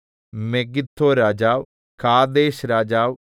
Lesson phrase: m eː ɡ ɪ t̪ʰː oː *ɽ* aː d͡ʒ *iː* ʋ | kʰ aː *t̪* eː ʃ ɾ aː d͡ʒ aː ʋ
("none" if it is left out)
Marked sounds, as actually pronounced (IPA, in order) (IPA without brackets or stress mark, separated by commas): ɾ, aː, d̪